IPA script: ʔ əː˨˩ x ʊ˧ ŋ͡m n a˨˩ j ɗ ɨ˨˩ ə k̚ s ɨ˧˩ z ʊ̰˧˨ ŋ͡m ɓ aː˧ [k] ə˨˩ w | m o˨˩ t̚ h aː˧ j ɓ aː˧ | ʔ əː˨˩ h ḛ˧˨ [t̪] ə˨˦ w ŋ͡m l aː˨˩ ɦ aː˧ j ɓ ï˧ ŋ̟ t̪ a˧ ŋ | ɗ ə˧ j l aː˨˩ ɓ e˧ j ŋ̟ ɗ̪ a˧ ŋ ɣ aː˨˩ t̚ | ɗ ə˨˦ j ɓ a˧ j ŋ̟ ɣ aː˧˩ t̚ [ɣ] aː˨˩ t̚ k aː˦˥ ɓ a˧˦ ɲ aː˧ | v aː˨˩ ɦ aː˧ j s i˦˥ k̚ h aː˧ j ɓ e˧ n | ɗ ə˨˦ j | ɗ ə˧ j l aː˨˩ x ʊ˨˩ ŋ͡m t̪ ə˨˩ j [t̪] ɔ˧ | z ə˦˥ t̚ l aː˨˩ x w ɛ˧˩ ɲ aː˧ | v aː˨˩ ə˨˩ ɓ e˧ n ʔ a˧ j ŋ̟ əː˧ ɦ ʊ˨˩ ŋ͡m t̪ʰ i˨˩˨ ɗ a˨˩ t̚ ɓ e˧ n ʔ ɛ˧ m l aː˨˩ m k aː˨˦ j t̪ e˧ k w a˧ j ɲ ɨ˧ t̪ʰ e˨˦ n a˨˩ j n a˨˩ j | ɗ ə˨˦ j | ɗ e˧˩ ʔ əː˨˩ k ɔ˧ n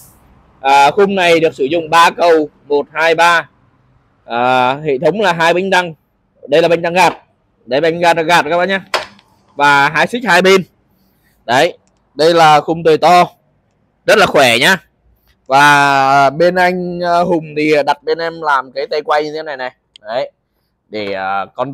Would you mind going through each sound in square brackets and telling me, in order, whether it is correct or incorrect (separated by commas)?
correct, incorrect, correct, correct